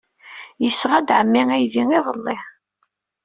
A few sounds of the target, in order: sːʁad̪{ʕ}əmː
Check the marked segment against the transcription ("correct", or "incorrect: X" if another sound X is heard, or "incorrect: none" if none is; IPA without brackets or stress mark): correct